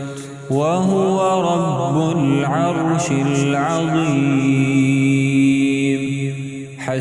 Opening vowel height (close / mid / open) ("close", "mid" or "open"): open